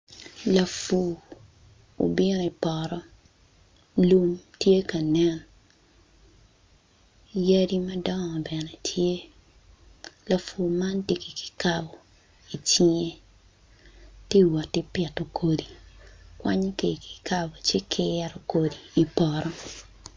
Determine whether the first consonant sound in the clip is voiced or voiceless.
voiced